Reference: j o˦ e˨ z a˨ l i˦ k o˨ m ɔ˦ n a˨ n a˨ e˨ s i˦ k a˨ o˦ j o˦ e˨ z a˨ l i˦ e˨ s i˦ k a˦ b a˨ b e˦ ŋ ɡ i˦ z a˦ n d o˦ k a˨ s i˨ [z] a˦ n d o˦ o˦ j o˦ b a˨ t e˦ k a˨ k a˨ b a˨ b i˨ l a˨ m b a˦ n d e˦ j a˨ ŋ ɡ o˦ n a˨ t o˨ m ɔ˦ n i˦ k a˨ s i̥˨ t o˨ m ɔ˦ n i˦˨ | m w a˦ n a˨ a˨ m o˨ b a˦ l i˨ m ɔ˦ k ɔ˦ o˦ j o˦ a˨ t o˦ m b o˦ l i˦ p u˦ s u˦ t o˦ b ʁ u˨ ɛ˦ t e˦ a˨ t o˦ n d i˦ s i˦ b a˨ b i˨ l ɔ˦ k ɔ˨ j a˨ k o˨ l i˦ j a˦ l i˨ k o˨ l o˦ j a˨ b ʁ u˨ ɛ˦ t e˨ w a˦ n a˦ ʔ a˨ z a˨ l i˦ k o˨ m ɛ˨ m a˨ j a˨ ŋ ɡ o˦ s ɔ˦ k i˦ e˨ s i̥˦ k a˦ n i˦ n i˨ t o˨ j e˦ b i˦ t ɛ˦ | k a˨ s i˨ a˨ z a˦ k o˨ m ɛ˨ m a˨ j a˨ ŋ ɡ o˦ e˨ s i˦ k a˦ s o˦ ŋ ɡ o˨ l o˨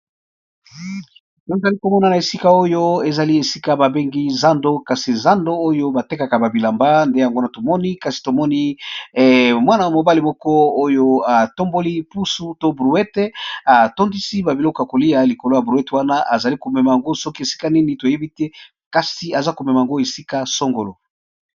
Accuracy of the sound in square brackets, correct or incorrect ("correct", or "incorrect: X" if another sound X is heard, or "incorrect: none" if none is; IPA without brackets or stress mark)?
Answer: correct